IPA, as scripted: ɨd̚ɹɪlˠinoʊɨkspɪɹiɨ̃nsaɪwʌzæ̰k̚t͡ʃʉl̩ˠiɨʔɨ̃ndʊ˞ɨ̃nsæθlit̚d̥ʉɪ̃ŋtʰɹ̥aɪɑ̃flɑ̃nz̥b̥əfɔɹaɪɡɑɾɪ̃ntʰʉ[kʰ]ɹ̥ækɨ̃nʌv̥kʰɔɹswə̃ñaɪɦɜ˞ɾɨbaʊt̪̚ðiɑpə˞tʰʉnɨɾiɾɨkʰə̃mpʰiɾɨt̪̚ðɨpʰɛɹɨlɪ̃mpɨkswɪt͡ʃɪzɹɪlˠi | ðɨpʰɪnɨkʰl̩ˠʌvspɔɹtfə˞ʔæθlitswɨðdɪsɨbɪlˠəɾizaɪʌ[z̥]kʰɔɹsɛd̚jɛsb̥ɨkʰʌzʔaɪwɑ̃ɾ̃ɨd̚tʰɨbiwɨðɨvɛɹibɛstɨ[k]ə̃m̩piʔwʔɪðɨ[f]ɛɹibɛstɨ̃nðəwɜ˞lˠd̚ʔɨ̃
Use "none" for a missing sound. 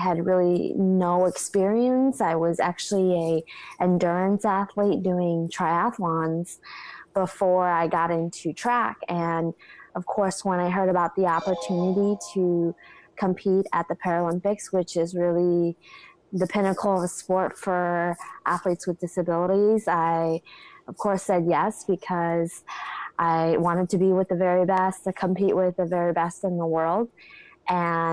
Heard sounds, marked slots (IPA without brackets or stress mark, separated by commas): tʰ, v̥, kʰ, v